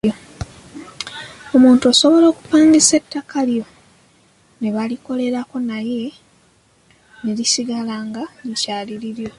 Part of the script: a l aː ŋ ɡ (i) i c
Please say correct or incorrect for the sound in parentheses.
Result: incorrect